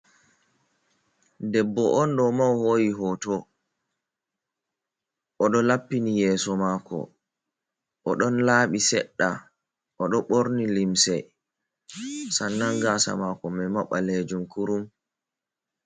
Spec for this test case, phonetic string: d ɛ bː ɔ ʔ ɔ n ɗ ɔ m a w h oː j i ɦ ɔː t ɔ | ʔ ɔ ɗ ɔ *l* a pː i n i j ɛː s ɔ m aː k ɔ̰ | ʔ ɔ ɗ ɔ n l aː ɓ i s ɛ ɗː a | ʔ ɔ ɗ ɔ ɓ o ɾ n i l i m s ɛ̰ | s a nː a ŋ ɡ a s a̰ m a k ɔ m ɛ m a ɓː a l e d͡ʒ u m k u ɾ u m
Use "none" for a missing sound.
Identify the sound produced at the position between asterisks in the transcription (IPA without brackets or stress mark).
l